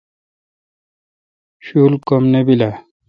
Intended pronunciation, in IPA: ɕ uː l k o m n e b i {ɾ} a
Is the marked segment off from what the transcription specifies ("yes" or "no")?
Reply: yes